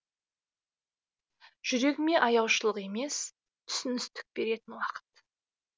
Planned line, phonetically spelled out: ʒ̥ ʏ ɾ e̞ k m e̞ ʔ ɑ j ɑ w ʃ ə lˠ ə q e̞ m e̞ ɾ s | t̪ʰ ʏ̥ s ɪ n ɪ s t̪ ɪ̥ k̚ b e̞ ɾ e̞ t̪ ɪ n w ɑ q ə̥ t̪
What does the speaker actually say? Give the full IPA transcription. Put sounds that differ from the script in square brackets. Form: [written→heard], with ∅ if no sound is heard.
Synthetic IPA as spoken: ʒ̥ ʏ ɾ e̞ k m e̞ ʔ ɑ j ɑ w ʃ ə lˠ ə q e̞ m e̞ [ɾ→∅] s | t̪ʰ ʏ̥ s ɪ n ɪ s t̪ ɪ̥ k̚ b e̞ ɾ e̞ t̪ ɪ n w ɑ q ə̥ t̪